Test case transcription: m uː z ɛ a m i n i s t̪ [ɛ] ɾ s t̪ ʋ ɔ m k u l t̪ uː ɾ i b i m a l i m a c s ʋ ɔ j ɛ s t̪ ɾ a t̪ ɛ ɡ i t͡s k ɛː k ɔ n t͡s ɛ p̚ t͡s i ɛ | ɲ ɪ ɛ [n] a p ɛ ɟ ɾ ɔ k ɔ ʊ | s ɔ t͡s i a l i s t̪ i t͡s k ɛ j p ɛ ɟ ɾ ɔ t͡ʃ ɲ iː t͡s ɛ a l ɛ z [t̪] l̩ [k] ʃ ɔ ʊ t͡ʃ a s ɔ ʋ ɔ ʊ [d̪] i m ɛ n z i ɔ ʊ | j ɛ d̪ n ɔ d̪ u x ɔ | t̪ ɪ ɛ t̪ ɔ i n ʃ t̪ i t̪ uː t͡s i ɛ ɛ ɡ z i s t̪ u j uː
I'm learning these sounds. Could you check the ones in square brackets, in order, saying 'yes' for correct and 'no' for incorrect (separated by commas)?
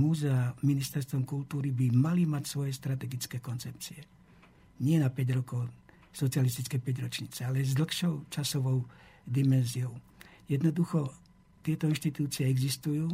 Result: yes, yes, no, no, yes